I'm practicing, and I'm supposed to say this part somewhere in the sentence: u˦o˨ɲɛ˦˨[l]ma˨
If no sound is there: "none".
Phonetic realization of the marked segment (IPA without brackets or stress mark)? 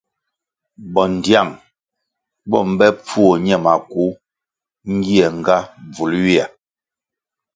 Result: none